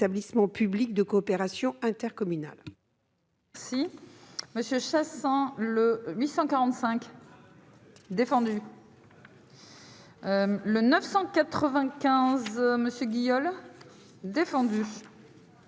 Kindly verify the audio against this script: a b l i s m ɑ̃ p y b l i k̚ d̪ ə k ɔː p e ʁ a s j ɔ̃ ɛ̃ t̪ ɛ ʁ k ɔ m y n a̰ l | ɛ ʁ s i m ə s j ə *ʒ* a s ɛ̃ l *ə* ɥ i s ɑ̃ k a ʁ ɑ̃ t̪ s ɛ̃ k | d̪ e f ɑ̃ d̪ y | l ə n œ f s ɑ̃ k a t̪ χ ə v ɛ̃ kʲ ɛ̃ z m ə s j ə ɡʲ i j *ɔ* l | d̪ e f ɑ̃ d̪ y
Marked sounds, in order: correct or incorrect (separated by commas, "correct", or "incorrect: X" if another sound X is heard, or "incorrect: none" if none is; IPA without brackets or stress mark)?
incorrect: ʃ, correct, correct